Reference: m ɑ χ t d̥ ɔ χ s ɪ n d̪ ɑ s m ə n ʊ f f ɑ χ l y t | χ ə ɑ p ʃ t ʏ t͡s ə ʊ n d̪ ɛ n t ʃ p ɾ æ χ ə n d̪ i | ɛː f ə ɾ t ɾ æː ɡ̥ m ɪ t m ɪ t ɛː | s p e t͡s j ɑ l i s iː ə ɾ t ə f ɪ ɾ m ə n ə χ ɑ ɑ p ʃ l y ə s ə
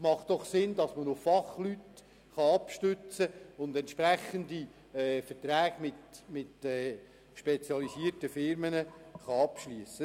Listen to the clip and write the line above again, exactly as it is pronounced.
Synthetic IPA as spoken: m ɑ χ t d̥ ɔ χ s ɪ n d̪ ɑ s m ə n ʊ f f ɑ χ l y t | χ ɑ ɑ p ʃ t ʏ t͡s ə ʊ n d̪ ɛ n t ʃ p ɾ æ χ ə n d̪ i | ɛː f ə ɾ t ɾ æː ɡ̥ m ɪ t m ɪ t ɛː | ʃ p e t͡s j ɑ l i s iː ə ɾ t ə f ɪ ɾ m ə n ə χ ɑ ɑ p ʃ l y ə s ə